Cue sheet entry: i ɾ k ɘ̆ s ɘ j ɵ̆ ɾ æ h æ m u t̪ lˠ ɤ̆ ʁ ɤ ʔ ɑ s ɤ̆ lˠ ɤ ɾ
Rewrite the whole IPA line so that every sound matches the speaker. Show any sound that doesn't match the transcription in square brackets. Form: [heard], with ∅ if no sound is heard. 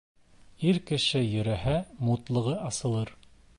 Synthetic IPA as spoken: i ɾ k ɘ̆ [ʃ] ɘ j ɵ̆ ɾ æ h æ m u t̪ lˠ ɤ̆ ʁ ɤ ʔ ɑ s ɤ̆ lˠ ɤ ɾ